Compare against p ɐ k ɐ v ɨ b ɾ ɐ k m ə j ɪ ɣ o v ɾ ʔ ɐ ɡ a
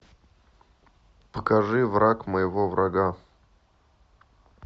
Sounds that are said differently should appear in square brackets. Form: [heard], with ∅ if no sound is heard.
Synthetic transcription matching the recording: p [ə] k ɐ [ʐ] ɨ [v] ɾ [a] k m ə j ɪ [v] o v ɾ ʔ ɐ ɡ a